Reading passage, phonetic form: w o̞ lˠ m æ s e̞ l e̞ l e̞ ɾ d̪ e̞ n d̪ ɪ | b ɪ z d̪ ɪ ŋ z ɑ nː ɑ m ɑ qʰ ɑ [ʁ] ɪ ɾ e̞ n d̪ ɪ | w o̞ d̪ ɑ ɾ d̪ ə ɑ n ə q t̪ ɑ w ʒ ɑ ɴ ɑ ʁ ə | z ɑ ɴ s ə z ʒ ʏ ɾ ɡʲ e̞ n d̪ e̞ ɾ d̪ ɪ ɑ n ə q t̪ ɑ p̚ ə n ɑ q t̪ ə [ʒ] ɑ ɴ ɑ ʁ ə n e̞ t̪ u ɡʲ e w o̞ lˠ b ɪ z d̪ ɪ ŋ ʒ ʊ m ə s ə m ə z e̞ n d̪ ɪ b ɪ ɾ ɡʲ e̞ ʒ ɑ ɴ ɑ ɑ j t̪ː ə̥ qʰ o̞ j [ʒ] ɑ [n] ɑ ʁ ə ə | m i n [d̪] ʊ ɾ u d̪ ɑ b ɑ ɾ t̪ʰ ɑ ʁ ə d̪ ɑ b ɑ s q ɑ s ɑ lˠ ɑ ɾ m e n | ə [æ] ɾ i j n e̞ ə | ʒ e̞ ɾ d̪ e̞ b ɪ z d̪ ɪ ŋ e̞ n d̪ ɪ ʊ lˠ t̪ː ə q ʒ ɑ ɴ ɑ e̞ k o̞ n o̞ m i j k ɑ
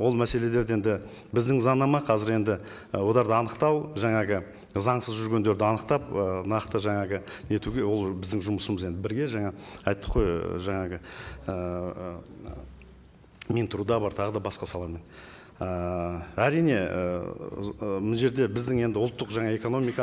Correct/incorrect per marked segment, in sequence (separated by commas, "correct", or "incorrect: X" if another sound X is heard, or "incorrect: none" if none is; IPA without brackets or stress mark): incorrect: z, correct, correct, incorrect: ɴ, incorrect: t̪, correct